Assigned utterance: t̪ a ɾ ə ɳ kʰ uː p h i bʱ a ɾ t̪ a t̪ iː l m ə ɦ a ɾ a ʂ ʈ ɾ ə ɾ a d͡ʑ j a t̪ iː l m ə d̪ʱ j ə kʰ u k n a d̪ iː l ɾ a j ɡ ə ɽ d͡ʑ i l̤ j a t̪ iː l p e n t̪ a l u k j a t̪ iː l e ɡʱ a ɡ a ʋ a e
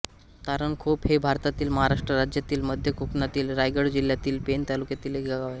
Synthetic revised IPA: t̪ a ɾ ə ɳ kʰ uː p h e bʱ a ɾ t̪ a t̪ iː l m ə ɦ a ɾ a ʂ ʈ ɾ ə ɾ a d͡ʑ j a t̪ iː l m ə d̪ʱ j ə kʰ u k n a t̪ iː l ɾ a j ɡ ə ɽ d͡ʑ i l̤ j a t̪ iː l p e n t̪ a l u k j a t̪ iː l e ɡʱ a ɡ a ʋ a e